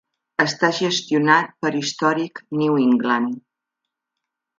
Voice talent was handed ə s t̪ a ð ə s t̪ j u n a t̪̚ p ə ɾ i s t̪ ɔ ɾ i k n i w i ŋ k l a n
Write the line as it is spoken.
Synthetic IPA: ə s t̪ a ʒ ə s t̪ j u n a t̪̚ p ə ɾ i s t̪ ɔ ɾ i k n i w i ŋ ɡ l a n